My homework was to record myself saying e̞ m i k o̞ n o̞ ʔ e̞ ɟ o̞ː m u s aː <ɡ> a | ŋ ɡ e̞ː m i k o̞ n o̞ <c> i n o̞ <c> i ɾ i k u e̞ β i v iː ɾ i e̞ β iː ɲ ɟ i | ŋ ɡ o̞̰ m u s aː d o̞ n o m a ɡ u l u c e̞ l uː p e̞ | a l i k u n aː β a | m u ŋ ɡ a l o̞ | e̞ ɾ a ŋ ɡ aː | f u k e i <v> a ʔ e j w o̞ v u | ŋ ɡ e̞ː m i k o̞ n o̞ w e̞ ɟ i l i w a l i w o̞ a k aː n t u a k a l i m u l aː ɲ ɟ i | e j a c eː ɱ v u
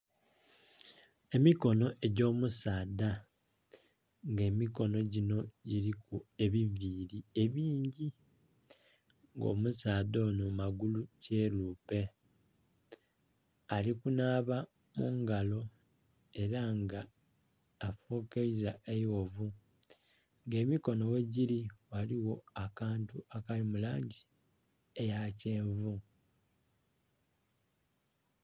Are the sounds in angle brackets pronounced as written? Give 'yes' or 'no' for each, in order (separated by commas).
no, no, no, no